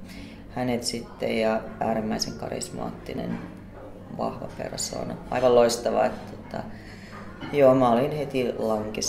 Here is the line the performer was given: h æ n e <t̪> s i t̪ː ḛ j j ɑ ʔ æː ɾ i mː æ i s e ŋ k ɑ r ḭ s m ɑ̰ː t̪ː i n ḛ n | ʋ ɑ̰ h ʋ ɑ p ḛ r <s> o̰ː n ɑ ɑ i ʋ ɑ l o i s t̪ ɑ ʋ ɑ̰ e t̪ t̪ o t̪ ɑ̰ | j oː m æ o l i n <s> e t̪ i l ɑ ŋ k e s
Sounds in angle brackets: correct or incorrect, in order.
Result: correct, correct, incorrect: h

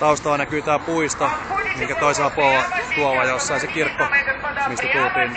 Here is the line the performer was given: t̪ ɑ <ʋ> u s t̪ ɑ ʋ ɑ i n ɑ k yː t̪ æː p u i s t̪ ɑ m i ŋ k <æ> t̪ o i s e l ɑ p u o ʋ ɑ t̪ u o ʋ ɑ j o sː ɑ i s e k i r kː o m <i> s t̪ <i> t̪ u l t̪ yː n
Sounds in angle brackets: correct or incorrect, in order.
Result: incorrect: none, correct, correct, incorrect: æ

